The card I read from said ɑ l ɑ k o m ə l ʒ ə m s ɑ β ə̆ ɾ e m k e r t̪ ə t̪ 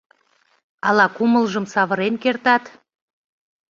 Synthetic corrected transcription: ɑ l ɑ k u m ə l ʒ ə m s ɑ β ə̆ ɾ e n k e r t̪ ɑ t̪